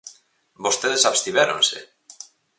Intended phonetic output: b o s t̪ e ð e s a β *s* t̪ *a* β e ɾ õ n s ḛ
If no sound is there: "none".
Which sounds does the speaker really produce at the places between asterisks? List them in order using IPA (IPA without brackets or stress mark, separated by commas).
s, i